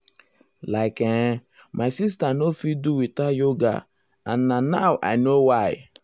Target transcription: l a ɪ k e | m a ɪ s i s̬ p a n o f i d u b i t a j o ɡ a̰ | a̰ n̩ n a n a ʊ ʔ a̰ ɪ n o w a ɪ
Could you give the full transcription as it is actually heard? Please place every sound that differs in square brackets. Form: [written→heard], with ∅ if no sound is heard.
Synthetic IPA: l a ɪ k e | m a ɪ s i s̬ [p→t] a n o f i d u [b→w] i t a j o ɡ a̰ | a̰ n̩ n a n a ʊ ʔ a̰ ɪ n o w a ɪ